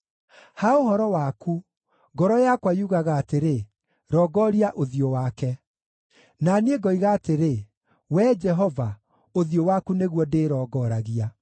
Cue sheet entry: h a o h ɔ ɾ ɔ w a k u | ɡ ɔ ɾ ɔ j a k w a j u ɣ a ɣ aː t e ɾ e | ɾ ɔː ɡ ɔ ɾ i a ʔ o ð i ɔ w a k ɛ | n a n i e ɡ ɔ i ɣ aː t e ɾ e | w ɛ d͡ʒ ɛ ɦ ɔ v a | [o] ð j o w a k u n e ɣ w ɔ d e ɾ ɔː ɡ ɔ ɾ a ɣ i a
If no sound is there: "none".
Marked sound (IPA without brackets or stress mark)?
o